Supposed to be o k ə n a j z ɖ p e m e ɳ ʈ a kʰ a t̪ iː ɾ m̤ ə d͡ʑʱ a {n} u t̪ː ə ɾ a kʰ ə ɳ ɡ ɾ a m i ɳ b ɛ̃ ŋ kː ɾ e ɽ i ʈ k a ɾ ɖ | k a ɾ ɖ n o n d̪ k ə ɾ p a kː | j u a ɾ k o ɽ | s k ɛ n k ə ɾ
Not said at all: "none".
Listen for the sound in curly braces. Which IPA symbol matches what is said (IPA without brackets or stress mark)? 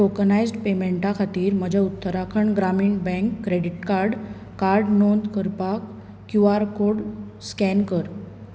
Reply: none